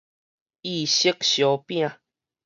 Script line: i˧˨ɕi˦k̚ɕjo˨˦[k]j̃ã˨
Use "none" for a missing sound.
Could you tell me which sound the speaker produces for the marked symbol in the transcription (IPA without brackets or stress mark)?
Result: p